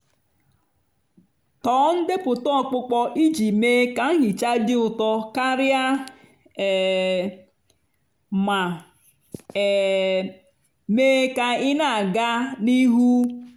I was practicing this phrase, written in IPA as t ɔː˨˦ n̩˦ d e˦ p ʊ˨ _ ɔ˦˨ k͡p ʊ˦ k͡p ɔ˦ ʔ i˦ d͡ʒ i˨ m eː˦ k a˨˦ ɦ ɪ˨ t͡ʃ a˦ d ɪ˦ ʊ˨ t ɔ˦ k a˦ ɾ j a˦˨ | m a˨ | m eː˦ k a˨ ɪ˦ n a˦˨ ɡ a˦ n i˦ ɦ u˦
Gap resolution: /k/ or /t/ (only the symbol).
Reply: t